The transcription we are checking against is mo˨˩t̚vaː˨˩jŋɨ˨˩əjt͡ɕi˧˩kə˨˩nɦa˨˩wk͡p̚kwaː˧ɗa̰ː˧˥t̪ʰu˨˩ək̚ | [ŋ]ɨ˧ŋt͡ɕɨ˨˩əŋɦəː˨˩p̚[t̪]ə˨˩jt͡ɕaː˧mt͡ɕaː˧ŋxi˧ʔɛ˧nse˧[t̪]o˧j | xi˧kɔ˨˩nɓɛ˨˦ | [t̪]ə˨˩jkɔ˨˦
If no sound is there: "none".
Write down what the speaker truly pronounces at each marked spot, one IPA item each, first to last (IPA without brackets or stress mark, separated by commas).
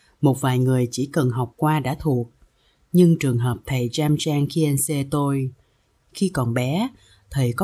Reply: ɲ, t̪ʰ, t̪, t̪ʰ